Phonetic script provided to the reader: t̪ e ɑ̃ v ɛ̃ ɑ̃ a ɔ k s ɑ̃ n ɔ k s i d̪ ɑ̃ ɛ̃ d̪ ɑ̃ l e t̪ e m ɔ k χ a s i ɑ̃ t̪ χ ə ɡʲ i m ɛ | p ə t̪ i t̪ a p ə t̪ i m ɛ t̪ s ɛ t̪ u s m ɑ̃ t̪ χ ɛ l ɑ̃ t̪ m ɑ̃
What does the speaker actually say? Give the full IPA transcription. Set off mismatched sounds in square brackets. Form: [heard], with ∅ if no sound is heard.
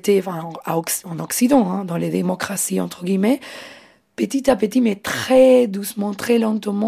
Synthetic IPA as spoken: t̪ e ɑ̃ [f] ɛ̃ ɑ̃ a ɔ k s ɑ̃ n ɔ k s i d̪ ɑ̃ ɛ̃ d̪ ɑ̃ l e [d̪] e m ɔ k χ a s i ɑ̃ t̪ χ ə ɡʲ i m ɛ | p ə t̪ i t̪ a p ə t̪ i m ɛ t̪ [χ] ɛ [d̪] u s m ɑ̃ t̪ χ ɛ l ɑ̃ t̪ m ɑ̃